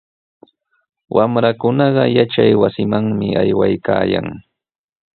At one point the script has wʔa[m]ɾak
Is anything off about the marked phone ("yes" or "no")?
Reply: no